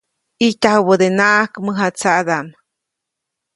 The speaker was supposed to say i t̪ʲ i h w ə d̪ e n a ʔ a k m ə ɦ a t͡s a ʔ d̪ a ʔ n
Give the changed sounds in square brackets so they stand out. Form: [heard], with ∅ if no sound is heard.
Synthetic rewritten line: i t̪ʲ [a] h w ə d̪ e n a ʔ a k m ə ɦ a t͡s a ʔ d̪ a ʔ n

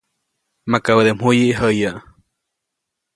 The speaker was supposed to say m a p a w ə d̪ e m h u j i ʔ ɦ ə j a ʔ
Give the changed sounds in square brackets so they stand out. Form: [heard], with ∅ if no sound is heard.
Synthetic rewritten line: m a [k] a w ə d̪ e m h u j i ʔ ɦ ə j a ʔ

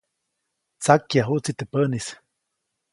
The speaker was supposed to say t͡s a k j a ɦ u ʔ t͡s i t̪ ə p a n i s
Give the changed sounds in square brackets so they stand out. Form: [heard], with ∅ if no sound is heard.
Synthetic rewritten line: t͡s a k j a ɦ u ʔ t͡s i t̪ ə p [ə] n i s

